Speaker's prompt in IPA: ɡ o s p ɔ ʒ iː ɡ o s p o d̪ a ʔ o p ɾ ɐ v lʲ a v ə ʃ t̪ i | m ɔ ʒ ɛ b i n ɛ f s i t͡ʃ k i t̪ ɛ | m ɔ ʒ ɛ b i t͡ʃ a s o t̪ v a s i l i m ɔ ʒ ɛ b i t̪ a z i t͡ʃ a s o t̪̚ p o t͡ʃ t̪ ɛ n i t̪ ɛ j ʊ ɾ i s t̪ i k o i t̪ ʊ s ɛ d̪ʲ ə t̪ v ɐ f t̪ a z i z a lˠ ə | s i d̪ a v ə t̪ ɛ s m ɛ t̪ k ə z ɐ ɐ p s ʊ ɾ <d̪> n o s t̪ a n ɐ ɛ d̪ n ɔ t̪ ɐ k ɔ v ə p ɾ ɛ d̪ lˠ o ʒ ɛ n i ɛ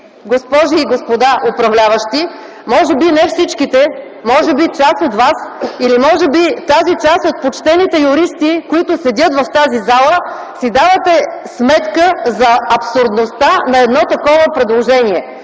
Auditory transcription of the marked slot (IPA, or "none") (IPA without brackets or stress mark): d̪